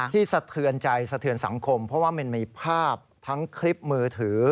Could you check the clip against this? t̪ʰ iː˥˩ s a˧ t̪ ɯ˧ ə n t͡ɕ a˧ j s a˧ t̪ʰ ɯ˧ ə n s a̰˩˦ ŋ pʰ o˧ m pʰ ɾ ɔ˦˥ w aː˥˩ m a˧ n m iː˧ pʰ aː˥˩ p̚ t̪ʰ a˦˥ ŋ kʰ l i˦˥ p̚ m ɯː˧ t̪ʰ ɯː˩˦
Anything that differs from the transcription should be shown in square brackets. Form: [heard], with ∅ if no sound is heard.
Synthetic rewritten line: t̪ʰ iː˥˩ s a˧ [t̪ʰ] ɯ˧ ə n t͡ɕ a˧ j s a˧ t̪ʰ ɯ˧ ə n s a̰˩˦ ŋ [kʰ] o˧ m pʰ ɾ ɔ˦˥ w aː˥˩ m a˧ n m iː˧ pʰ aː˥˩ p̚ t̪ʰ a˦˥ ŋ kʰ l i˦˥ p̚ m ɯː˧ t̪ʰ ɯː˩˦